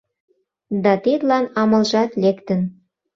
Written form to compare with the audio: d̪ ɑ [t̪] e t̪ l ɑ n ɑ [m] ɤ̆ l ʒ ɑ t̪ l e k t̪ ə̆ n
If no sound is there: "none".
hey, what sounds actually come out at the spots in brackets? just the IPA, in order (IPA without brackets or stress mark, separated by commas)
t̪, m